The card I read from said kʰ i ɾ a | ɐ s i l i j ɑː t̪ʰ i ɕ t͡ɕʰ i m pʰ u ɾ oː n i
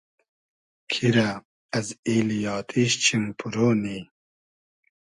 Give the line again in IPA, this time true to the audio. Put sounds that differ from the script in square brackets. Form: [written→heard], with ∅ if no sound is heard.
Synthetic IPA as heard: kʰ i ɾ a | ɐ [s→z] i l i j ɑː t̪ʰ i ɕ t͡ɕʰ i m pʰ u ɾ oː n i